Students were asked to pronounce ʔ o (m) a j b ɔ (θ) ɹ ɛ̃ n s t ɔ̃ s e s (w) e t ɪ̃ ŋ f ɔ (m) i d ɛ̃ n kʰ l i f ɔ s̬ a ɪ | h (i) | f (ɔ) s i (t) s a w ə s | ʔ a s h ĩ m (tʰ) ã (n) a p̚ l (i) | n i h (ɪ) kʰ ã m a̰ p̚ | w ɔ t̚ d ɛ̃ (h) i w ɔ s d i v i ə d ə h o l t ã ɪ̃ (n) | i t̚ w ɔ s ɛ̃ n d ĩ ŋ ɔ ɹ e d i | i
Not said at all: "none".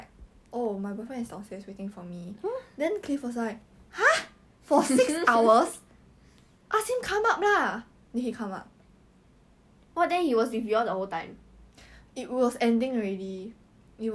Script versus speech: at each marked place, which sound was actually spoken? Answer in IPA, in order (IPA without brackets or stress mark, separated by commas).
m, f, w, m, a, ɔ, k, kʰ, m, a, i, h, m